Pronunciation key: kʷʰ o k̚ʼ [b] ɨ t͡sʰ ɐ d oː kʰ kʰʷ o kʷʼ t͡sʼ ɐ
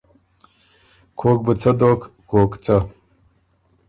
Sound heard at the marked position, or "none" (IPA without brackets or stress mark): b